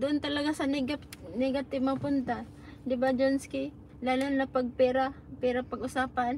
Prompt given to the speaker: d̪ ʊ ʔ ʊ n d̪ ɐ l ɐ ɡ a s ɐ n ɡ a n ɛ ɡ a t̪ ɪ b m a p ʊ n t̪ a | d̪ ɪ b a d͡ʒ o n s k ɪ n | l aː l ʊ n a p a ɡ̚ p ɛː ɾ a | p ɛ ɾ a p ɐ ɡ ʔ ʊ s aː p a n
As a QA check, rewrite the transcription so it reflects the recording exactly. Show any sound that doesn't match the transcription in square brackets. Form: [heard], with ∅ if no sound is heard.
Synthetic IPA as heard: d̪ ʊ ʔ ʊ n [t̪] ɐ l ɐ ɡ a s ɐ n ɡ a n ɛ ɡ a t̪ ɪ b m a p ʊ n t̪ a | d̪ ɪ b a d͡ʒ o n s k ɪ [∅] | l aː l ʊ n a p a ɡ̚ p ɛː ɾ a | p ɛ ɾ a p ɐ ɡ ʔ ʊ s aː p a n

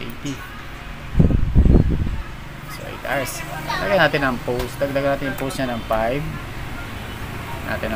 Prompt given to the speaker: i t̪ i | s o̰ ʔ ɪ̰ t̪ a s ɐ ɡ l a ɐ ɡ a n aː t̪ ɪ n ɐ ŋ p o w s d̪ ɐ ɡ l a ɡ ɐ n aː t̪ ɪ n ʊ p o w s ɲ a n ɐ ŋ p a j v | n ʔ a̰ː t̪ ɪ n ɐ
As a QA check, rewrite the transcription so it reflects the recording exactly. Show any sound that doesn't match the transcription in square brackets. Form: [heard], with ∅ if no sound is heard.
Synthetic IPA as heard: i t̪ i | s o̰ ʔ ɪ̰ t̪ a s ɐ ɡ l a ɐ ɡ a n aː t̪ ɪ n ɐ ŋ p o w s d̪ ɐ ɡ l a ɡ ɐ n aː t̪ ɪ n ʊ p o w s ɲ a n ɐ ŋ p a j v | n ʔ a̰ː t̪ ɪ n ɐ

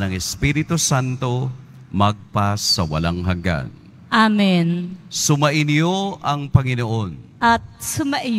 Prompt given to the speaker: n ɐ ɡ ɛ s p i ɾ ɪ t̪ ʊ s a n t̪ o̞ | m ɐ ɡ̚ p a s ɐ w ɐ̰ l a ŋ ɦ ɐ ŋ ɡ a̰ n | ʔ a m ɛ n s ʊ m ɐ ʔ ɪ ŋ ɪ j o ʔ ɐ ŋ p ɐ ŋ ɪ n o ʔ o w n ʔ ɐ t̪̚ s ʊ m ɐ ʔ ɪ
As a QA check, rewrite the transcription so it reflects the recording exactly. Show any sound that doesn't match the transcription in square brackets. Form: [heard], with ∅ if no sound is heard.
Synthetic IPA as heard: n ɐ [ŋ] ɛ s p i ɾ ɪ t̪ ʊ s a n t̪ o̞ | m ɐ ɡ̚ p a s ɐ w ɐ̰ l a ŋ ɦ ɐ ŋ ɡ a̰ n | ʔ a m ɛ n s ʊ m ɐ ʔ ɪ [n] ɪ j o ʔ ɐ ŋ p ɐ ŋ ɪ n o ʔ o [∅] n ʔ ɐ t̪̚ s ʊ m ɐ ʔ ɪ

